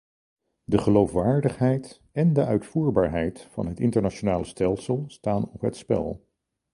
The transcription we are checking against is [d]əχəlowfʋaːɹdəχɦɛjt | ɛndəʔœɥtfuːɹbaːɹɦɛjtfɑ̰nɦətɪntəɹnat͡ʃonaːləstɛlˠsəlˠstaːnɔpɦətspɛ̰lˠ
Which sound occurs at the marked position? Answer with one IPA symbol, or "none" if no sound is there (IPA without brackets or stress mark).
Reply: d